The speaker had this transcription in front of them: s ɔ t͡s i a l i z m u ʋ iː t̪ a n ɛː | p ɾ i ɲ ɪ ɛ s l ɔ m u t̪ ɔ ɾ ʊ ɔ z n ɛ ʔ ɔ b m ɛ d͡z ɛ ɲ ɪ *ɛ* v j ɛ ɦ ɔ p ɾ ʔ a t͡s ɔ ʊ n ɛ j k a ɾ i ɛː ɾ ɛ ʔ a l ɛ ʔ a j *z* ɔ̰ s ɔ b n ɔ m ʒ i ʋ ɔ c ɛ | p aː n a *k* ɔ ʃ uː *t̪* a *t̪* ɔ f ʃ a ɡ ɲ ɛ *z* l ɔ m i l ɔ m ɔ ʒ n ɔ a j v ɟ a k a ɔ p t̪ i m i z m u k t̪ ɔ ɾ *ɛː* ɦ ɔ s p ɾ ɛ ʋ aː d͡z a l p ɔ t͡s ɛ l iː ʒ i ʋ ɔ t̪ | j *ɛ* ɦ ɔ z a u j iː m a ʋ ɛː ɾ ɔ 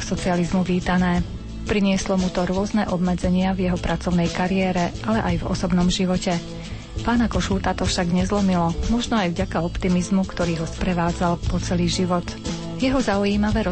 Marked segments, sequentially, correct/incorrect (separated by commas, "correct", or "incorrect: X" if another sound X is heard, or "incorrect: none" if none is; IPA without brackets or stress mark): incorrect: a, incorrect: v, correct, correct, correct, correct, incorrect: iː, correct